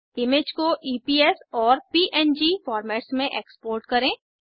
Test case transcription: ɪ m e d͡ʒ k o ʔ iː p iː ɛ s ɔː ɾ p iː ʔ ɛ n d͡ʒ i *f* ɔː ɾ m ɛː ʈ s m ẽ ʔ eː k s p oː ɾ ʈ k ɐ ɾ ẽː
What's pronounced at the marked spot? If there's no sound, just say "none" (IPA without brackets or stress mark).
f